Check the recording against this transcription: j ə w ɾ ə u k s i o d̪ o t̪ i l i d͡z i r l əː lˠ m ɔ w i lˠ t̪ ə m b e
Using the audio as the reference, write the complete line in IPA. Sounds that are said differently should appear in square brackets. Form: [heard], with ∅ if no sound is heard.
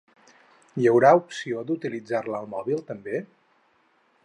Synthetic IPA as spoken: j ə w ɾ [a] u [p] s i o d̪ [u] t̪ i l i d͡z [a] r l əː lˠ m ɔ [β] i lˠ t̪ ə m b e